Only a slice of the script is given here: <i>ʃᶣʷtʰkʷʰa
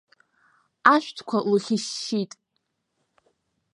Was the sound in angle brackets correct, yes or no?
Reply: no